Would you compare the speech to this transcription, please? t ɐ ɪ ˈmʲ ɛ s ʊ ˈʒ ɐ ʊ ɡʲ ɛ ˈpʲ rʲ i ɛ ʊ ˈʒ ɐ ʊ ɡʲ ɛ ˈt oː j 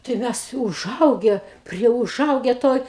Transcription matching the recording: t ɐ ɪ ˈmʲ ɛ s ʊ ˈʒ ɐ ʊ ɡʲ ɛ ˈpʲ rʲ i ɛ ʊ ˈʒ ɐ ʊ ɡʲ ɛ ˈt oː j